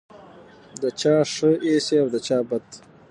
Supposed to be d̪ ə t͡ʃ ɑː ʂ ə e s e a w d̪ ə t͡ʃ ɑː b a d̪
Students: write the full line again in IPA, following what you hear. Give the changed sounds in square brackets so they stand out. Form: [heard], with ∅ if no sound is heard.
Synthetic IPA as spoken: d̪ ə t͡ʃ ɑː ʂ ə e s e a w d̪ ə t͡ʃ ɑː b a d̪